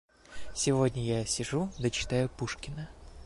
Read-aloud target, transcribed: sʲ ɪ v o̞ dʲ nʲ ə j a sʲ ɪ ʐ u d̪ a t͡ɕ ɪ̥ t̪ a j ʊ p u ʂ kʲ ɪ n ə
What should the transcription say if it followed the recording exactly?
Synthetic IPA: sʲ ɪ v o̞ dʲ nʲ ə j a sʲ ɪ ʐ u d̪ ə t͡ɕ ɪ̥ t̪ a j ʊ p u ʂ kʲ ɪ n ə